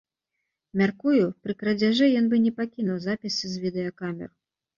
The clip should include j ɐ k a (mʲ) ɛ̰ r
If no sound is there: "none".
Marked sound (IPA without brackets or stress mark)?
mʲ